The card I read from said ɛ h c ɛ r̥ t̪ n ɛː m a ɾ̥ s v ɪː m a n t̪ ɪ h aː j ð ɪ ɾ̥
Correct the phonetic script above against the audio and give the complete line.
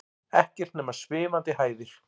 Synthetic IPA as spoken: ɛ h c ɛ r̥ t̪ n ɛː m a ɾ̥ s v ɪː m a n t̪ ɪ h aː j ð ɪ ɾ̥